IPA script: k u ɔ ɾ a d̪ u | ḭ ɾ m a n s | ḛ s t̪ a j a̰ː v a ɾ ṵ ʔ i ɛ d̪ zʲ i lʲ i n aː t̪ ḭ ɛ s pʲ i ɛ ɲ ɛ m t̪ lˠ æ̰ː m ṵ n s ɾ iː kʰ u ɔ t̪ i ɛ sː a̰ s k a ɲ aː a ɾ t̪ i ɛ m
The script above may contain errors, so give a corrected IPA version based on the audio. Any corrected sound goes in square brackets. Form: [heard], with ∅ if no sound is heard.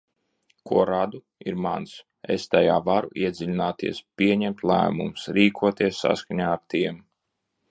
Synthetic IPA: k u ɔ ɾ a d̪ u | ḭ ɾ m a n s | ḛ s t̪ a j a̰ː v a ɾ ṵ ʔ i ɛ d̪ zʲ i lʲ i n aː t̪ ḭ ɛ s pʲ i ɛ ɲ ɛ m t̪ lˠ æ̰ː m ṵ [m] s ɾ iː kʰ u ɔ t̪ i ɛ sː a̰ s k a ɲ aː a ɾ t̪ i ɛ m